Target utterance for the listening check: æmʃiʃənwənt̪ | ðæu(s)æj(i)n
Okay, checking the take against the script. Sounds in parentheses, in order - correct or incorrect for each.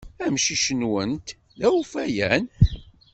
incorrect, incorrect

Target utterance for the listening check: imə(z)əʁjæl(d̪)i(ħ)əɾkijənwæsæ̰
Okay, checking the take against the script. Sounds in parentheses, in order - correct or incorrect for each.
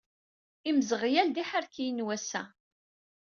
correct, correct, correct

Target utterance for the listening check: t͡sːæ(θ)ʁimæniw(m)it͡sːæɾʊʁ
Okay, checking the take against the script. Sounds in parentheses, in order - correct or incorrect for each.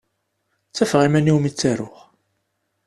incorrect, correct

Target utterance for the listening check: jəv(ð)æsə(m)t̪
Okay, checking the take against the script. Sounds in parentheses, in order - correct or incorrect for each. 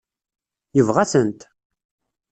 incorrect, incorrect

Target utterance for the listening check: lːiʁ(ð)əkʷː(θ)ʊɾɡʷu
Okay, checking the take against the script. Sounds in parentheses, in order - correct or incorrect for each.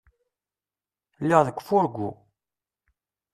correct, incorrect

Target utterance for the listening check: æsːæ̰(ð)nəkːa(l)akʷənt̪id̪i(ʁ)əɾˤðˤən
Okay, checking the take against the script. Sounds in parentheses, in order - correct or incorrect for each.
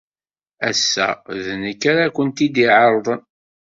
correct, incorrect, incorrect

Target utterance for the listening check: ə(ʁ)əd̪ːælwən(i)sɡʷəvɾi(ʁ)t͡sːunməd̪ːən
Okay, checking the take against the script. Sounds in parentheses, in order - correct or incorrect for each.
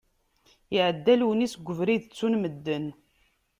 incorrect, correct, incorrect

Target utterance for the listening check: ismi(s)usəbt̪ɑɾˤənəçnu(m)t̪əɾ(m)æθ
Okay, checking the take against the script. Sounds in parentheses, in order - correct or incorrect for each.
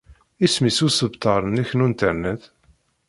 correct, incorrect, incorrect

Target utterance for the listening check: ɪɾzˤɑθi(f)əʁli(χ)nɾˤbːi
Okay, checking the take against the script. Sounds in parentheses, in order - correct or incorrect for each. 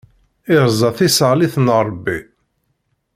incorrect, incorrect

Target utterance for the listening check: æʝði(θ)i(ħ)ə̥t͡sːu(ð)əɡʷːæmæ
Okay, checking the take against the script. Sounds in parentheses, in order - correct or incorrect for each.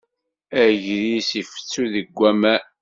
incorrect, incorrect, correct

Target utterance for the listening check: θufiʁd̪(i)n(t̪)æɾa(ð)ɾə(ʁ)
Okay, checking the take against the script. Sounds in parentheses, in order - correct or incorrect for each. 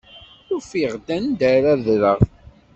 incorrect, incorrect, correct, correct

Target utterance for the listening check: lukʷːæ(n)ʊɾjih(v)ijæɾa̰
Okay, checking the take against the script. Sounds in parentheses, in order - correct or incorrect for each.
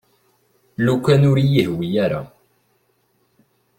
correct, incorrect

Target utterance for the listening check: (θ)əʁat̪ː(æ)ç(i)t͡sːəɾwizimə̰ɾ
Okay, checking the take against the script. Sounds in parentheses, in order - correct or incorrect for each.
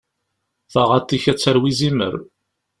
correct, incorrect, incorrect

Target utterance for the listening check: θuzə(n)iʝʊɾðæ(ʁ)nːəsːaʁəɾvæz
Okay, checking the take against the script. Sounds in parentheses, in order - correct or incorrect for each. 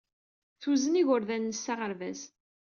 correct, incorrect

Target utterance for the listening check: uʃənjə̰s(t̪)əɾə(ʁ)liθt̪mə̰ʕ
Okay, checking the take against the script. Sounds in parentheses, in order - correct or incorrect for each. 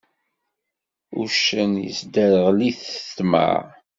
incorrect, correct

